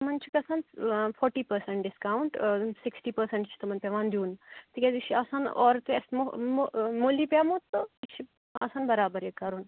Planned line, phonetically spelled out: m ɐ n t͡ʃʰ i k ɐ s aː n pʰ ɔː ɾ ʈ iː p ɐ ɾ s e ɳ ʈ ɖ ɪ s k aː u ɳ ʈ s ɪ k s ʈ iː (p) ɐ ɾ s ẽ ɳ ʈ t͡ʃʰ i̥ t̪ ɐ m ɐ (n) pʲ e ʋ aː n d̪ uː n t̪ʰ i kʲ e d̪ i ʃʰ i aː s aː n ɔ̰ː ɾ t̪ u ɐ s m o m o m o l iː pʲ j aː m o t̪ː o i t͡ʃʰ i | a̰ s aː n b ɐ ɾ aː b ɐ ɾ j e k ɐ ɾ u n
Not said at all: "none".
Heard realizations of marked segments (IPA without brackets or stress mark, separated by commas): p, n